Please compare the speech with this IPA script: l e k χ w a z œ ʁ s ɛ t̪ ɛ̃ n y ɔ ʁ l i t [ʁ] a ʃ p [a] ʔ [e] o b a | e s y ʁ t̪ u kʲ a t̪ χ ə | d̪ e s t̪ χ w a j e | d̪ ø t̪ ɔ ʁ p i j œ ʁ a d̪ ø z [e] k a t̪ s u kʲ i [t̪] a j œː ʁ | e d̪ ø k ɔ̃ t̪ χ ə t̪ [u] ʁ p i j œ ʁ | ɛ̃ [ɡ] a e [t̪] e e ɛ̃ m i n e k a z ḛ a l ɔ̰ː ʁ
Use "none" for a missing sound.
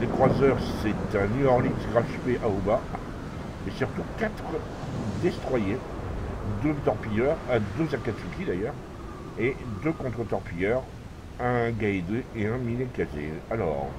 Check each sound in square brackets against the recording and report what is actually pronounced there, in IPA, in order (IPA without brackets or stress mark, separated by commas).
ʁ, e, a, a, d̪, ɔ, ɡ, d̪